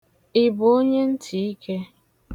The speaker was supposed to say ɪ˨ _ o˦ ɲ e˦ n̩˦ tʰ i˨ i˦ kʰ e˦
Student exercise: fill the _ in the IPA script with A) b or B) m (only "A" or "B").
A